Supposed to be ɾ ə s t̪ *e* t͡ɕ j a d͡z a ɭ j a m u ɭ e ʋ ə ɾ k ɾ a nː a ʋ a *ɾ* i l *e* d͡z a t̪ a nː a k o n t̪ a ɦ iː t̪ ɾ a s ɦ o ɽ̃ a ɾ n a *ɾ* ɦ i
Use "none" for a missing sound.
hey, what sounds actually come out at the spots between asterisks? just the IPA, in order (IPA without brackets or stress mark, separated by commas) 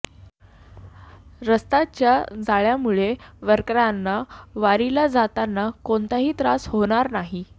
a, ɾ, a, none